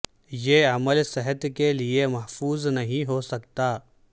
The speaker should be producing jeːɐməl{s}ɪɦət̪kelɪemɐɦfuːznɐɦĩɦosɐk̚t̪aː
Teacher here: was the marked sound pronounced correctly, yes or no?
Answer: yes